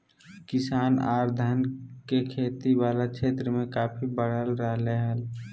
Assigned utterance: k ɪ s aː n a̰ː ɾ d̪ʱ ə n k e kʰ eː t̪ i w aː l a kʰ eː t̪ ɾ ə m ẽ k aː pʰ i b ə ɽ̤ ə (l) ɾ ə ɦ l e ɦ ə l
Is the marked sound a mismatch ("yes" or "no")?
no